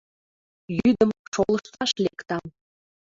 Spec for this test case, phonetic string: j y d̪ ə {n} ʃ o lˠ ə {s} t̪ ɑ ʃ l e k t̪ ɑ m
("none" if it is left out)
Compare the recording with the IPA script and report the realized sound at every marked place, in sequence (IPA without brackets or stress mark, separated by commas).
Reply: m, ʃ